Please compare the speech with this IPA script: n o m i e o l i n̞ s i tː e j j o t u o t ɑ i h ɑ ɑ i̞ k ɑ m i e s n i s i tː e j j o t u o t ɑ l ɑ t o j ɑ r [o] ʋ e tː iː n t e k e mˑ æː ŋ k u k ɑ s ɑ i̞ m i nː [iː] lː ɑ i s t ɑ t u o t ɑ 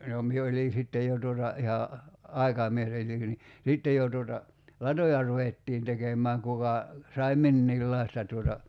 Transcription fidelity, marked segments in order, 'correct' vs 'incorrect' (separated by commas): incorrect, correct